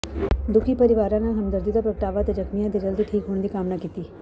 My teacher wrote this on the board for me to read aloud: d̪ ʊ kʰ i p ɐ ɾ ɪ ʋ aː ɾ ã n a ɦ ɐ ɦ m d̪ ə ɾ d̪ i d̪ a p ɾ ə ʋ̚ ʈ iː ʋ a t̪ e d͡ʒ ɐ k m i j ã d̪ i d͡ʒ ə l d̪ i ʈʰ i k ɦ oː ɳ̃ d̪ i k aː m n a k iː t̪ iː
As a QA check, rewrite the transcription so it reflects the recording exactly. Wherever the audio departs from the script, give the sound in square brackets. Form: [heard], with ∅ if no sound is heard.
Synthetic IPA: d̪ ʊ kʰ i p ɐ ɾ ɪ ʋ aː ɾ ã n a ɦ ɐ [∅] m d̪ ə ɾ d̪ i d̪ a p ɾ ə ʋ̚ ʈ [aː] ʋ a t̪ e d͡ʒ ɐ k m i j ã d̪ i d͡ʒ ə l d̪ i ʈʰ [iː] k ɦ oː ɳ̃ d̪ i k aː m n a k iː t̪ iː